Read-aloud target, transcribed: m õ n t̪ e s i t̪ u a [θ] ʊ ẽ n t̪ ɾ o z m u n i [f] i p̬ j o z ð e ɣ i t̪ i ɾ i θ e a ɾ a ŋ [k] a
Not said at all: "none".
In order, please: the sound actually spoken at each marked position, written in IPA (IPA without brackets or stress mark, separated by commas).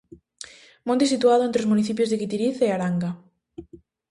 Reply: ð, θ, ɡ